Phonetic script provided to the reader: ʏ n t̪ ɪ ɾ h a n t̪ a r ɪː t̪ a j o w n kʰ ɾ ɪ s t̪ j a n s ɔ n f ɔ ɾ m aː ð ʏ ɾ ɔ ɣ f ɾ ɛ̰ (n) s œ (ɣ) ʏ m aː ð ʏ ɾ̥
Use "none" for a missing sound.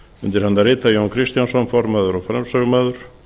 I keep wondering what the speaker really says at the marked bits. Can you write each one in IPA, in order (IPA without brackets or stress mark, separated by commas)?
m, ɣ